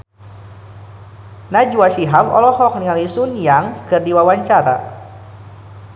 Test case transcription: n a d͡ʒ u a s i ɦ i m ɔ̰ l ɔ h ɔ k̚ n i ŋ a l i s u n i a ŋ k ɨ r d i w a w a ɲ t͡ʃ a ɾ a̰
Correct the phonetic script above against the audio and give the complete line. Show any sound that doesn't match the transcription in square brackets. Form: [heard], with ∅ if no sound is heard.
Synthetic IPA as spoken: n a d͡ʒ u a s i ɦ [a] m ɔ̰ l ɔ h ɔ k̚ n i ŋ a l i s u n [j] a ŋ k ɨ r d i w a w a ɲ t͡ʃ a ɾ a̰